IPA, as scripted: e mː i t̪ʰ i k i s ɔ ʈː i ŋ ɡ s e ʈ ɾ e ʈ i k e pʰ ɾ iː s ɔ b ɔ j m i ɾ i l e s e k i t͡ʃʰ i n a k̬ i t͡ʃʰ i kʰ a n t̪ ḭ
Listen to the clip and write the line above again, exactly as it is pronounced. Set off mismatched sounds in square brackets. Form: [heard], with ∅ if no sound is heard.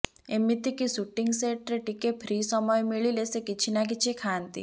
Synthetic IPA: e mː i [t̪] i k i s [u] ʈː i ŋ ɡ s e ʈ ɾ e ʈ i k e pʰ ɾ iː s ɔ [m] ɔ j m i [ɭ] i l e s e k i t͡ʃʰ i n a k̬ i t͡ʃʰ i kʰ a n t̪ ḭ